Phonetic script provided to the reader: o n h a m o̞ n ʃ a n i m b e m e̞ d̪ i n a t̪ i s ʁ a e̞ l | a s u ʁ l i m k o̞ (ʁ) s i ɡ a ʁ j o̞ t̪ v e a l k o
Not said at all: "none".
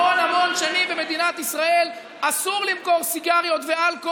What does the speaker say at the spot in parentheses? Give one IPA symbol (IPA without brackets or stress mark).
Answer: ʁ